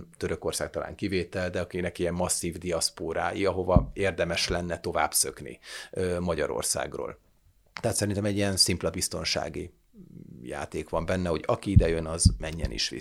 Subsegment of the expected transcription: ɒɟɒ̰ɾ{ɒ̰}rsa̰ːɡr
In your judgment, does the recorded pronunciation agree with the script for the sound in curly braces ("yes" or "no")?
no